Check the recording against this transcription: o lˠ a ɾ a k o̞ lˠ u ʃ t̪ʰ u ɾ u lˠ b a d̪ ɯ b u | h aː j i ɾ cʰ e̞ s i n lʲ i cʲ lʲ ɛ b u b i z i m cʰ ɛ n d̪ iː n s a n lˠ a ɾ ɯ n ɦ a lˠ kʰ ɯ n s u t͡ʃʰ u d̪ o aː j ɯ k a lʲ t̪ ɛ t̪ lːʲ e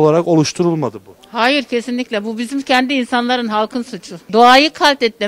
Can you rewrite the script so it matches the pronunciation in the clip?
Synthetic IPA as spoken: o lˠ a ɾ a k o̞ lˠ u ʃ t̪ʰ u ɾ u lˠ m a d̪ ɯ b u | h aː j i ɾ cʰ e̞ s i n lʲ i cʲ lʲ ɛ b u b i z i m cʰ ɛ n d̪ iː n s a n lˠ a ɾ ɯ n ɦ a lˠ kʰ ɯ n s u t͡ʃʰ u d̪ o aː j ɯ kʰ a lʲ t̪ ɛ t̪ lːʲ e